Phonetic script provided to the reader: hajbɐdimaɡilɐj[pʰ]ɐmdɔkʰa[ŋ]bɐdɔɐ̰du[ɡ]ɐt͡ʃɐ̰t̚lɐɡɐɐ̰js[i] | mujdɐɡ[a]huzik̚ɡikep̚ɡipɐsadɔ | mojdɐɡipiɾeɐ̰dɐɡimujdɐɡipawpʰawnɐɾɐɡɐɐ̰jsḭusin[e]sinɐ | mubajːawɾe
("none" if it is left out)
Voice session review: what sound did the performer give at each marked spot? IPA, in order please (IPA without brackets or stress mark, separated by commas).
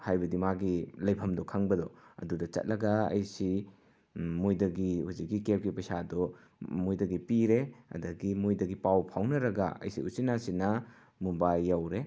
pʰ, ŋ, d, i, i, a